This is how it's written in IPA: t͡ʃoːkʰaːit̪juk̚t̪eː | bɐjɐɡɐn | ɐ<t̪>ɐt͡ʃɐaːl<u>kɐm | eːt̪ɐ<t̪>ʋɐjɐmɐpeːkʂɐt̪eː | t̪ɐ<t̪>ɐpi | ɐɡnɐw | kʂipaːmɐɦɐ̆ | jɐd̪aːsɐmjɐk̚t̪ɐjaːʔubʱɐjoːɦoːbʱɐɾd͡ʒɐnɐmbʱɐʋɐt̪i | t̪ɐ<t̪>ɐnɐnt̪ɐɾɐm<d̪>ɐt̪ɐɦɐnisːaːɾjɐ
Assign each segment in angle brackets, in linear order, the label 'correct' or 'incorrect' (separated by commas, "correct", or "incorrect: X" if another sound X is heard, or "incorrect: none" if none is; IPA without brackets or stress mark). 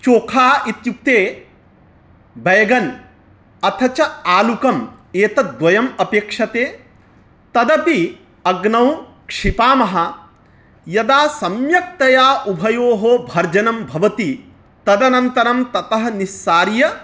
incorrect: t̪ʰ, correct, incorrect: d̪, incorrect: d̪, incorrect: d̪, incorrect: t̪